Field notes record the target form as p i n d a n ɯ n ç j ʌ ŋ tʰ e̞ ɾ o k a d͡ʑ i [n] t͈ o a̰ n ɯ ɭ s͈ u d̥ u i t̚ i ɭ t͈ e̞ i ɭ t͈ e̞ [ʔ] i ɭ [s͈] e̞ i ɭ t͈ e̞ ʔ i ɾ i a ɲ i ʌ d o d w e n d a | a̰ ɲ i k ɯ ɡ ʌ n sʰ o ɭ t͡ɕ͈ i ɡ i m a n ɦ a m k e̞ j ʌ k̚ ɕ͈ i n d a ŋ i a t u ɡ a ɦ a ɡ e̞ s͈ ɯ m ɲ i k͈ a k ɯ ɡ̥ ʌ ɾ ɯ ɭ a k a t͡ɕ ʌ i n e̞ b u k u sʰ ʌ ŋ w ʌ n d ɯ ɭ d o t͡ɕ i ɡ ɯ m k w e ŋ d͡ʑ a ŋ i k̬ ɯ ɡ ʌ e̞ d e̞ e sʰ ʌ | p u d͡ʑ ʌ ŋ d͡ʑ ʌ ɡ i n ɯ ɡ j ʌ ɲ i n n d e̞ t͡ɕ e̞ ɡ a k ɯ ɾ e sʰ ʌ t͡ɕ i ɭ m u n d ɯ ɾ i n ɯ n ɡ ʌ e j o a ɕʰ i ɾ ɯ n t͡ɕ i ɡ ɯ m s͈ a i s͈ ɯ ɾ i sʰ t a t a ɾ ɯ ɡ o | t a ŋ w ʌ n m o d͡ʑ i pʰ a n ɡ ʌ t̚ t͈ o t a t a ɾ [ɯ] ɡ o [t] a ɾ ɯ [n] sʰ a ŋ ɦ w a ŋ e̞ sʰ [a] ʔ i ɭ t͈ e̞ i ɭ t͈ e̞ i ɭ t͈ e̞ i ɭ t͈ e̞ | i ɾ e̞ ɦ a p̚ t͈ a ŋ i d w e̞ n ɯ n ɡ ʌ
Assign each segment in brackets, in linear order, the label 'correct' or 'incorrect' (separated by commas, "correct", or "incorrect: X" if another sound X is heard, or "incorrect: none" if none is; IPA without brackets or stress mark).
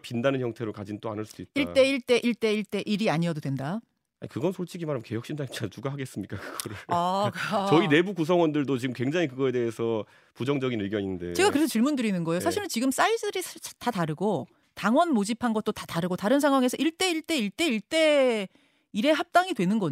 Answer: correct, correct, incorrect: t͈, correct, correct, correct, incorrect: ʌ